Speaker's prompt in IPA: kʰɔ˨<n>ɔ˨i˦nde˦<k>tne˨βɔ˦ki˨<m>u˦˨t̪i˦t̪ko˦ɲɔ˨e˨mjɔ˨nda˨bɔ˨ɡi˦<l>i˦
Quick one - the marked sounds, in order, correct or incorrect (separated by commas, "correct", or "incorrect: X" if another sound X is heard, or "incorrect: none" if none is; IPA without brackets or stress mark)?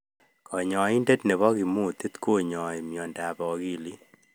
incorrect: ɲ, incorrect: none, correct, correct